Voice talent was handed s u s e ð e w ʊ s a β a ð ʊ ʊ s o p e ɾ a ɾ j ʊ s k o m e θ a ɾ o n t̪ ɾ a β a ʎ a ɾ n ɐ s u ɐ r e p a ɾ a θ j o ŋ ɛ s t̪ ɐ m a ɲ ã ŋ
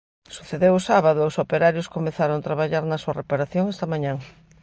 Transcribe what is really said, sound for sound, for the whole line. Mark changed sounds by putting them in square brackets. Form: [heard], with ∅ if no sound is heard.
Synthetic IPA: s u [θ] e ð e w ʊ s a β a ð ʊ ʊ s o p e ɾ a ɾ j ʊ s k o m e θ a ɾ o n t̪ ɾ a β a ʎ a ɾ n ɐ s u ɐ r e p a ɾ a θ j o ŋ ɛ s t̪ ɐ m a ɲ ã ŋ